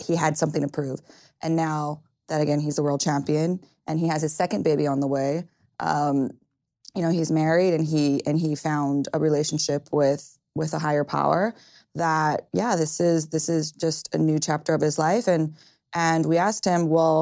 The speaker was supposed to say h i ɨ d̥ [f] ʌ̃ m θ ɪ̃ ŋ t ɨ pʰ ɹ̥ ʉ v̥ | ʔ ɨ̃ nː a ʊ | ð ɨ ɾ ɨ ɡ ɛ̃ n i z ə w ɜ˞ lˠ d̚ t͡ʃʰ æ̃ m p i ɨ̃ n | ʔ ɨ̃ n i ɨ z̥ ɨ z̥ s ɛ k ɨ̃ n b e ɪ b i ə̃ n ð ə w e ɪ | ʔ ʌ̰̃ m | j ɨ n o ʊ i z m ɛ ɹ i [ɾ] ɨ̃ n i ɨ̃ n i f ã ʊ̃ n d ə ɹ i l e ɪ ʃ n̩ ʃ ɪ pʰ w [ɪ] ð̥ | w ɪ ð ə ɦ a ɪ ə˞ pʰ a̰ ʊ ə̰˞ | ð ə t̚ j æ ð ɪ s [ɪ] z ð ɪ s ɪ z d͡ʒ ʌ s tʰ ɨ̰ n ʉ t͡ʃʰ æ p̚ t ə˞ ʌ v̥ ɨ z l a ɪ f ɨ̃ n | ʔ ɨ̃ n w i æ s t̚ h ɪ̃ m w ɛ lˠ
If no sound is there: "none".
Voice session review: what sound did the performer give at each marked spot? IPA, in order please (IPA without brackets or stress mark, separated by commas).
s, ɾ, ɪ, ɪ